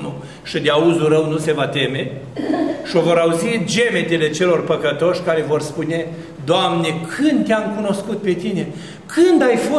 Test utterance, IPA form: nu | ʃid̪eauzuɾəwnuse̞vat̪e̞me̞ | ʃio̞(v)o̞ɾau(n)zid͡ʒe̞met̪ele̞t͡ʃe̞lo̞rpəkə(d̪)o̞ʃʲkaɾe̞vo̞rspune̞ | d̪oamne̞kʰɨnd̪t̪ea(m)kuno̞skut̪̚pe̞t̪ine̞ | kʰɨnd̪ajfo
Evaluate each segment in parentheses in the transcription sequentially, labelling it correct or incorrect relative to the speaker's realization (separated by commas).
correct, incorrect, incorrect, correct